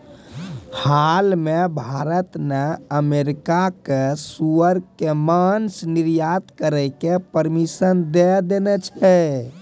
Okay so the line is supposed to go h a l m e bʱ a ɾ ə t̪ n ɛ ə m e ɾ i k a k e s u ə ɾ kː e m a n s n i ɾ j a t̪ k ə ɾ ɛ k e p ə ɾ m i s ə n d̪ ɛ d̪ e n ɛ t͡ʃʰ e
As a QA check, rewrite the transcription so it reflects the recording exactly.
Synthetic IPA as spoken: h a l m e bʱ a ɾ ə t̪ n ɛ ə m e ɾ i k a k e s u ə ɾ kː e m a n s n i ɾ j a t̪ k ə ɾ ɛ k e p ə ɾ m i s ə n d̪ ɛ d̪ e n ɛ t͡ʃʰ ɛ